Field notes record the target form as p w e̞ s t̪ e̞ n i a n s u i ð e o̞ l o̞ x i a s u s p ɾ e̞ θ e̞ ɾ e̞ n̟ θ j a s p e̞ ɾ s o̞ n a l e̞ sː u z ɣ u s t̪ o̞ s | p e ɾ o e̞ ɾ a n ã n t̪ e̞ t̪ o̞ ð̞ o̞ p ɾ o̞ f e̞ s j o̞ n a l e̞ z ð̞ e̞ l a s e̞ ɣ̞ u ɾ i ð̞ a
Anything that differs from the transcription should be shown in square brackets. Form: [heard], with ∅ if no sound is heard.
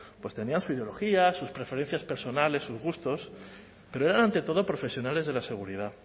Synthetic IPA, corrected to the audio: p w e̞ s t̪ e̞ n i a n s u i ð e o̞ l o̞ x i a s u s p ɾ e̞ [f] e̞ ɾ e̞ n̟ θ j a s p e̞ ɾ s o̞ n a l e̞ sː u z ɣ u s t̪ o̞ s | p e ɾ o e̞ ɾ a n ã n t̪ e̞ t̪ o̞ ð̞ o̞ p ɾ o̞ f e̞ s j o̞ n a l e̞ z ð̞ e̞ l a s e̞ ɣ̞ u ɾ i ð̞ a